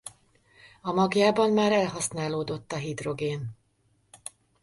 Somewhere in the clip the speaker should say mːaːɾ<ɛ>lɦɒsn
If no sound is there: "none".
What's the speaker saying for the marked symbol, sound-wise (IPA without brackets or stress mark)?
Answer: ɛ